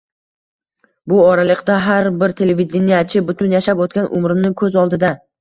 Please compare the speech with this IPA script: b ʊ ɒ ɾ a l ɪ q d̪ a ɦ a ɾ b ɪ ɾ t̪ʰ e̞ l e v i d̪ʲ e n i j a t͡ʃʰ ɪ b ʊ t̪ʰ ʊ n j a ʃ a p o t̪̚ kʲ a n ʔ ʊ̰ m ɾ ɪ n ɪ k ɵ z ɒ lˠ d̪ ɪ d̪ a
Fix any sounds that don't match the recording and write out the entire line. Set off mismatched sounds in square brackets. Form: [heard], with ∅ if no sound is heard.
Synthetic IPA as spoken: b ʊ ɒ ɾ a l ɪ q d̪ a ɦ a ɾ b ɪ ɾ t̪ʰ e̞ l e v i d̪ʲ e n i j a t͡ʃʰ ɪ b ʊ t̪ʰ ʊ n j a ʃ a p o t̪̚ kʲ a n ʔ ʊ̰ m ɾ ɪ n ɪ [kʰ] ɵ z ɒ lˠ d̪ ɪ d̪ a